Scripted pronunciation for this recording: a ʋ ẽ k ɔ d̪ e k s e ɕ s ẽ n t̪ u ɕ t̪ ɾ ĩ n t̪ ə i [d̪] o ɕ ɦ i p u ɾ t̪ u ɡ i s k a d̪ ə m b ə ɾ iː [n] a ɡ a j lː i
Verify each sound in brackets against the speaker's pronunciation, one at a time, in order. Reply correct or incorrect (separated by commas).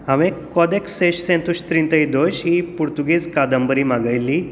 correct, incorrect